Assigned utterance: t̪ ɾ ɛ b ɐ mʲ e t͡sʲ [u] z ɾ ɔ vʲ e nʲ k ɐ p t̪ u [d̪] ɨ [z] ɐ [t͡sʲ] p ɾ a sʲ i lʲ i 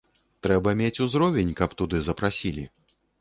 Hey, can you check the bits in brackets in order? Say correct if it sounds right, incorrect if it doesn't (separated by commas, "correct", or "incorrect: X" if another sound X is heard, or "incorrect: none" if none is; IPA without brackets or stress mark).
correct, correct, correct, incorrect: none